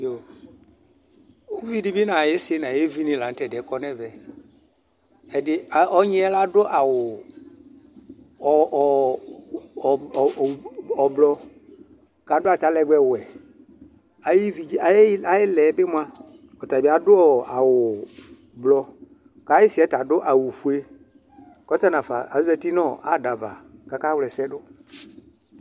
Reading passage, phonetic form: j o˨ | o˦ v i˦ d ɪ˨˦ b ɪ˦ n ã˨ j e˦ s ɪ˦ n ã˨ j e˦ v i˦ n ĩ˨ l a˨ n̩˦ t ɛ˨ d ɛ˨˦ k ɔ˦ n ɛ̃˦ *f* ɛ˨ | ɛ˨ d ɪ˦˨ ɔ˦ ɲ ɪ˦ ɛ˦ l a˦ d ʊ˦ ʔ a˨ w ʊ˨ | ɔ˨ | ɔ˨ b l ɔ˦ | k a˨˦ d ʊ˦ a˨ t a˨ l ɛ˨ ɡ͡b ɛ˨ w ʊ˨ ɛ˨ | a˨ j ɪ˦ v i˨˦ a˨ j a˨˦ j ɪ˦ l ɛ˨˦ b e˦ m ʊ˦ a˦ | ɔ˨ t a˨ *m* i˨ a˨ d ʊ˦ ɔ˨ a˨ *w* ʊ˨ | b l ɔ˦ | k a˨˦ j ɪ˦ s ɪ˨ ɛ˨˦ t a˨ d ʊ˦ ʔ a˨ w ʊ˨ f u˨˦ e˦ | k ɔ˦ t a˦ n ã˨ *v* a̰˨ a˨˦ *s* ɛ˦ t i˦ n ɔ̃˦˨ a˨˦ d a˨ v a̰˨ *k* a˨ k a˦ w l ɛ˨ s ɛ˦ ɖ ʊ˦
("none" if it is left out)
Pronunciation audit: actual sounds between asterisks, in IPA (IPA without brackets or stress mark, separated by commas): v, b, w, f, z, k